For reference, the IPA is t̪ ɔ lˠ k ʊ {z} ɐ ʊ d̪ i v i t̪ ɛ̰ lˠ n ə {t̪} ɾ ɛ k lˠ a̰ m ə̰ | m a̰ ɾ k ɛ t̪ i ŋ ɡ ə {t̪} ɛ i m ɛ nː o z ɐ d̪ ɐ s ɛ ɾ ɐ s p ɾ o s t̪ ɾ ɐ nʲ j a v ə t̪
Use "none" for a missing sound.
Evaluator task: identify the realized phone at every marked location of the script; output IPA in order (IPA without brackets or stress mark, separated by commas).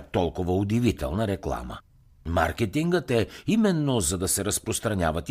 v, none, t̪